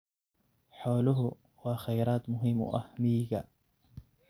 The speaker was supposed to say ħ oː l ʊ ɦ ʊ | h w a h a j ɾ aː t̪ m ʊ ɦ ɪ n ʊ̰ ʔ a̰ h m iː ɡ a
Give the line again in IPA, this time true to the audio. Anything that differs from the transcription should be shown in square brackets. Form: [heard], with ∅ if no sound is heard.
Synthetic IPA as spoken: ħ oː l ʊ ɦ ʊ | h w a [x] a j ɾ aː t̪ m ʊ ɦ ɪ [m] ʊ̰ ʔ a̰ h m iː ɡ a